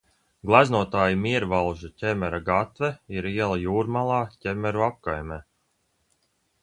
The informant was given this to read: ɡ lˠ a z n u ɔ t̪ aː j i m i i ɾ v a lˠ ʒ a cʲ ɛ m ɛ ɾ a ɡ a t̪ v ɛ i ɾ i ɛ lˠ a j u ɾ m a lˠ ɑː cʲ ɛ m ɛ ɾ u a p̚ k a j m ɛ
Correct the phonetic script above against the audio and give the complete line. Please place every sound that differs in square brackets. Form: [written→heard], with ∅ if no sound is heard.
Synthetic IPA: ɡ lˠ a z n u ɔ t̪ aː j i m i [i→ɛ] ɾ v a lˠ ʒ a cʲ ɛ m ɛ ɾ a ɡ a t̪ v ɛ i ɾ i ɛ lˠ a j [u→uː] ɾ m a lˠ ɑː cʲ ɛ m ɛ ɾ u a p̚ k a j m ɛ